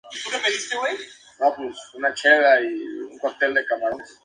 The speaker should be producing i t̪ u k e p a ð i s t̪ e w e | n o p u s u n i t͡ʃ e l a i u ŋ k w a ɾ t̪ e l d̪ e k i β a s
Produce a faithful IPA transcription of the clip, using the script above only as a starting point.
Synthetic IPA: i t̪ u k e p e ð i s t̪ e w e | n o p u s u n a t͡ʃ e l a i u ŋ k w a ɾ t̪ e l d̪ e k a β a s